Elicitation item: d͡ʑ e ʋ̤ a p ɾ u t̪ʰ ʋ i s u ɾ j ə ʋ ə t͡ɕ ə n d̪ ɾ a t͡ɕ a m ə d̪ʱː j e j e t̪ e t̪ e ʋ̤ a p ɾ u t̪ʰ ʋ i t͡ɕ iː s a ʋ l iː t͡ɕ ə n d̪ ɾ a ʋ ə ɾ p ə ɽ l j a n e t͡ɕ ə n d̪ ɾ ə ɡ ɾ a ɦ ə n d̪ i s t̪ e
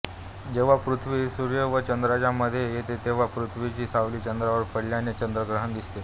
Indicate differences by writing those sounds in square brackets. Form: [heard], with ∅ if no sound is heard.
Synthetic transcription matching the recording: d͡ʑ e ʋ̤ a p ɾ u t̪ʰ ʋ i s u ɾ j ə ʋ ə t͡ɕ ə n d̪ ɾ a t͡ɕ a m ə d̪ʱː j e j e t̪ e t̪ e ʋ̤ a p ɾ u t̪ʰ ʋ i t͡ɕ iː s a ʋ l iː t͡ɕ ə n d̪ ɾ a ʋ ə ɾ p ə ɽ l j a n e t͡ɕ ə n d̪ ɾ ə ɡ ɾ [ə] ɦ ə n d̪ i s t̪ e